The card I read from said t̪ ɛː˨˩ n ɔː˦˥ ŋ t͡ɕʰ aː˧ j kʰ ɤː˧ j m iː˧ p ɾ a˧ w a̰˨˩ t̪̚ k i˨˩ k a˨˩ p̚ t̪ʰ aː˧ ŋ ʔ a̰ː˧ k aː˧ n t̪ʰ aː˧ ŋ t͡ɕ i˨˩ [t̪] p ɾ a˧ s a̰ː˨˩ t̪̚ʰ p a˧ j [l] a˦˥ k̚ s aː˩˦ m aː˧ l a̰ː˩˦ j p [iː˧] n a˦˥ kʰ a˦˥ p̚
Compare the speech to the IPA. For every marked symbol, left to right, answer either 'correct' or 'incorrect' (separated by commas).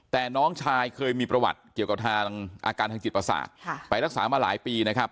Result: correct, incorrect, correct